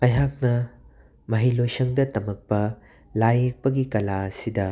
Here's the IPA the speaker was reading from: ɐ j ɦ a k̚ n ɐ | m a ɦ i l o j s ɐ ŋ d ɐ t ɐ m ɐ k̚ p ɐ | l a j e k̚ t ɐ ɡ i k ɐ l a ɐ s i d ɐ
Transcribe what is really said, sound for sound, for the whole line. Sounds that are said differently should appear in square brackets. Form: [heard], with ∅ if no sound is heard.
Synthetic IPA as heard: ɐ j ɦ a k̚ n ɐ | m [ɐ] ɦ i l o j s ɐ ŋ d ɐ t ɐ m ɐ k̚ p ɐ | l a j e k̚ [p] ɐ ɡ i k ɐ l a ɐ s i d ɐ